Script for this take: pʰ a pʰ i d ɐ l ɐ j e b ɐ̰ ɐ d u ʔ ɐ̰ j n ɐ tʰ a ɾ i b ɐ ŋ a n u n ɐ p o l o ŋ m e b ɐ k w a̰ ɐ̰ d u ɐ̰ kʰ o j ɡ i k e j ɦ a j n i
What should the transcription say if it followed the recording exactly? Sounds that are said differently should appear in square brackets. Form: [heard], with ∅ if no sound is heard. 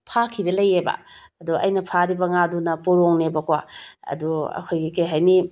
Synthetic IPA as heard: pʰ a [kʰ] i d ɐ l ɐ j e b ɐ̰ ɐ d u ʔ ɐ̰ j n ɐ [pʰ] a ɾ i b ɐ ŋ a [d] u n ɐ p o [ɾ] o ŋ [n] e b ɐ k w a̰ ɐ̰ d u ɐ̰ kʰ o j ɡ i k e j ɦ a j n i